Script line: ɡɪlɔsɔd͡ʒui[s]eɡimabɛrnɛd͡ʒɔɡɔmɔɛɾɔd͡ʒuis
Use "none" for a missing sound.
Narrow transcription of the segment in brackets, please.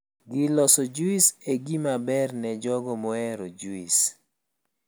s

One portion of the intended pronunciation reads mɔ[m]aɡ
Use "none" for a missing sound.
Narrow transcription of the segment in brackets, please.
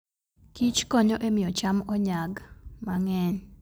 ɲ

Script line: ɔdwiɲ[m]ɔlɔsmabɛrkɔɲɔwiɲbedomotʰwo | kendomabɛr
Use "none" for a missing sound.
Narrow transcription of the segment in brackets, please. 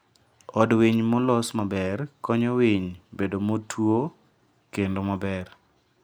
m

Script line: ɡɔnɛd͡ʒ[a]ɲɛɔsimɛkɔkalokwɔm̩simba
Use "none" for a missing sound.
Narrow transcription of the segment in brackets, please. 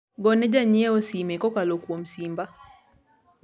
a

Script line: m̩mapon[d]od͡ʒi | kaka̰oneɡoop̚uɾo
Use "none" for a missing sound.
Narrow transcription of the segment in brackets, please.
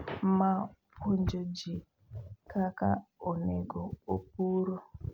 d͡ʒ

